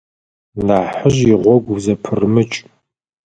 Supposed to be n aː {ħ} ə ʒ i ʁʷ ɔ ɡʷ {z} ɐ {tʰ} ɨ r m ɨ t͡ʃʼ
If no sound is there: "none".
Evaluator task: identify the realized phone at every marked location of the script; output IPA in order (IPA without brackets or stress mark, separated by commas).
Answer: ħ, z, pʰ